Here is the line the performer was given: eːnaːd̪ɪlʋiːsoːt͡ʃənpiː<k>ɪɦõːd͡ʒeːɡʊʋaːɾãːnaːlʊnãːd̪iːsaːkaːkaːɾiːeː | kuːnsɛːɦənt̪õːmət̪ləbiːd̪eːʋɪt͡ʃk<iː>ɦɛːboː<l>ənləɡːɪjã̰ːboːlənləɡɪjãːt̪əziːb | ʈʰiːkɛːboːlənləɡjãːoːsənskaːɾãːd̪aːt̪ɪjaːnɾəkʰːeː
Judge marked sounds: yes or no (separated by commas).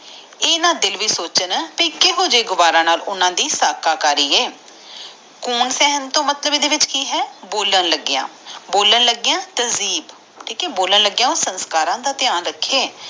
yes, yes, yes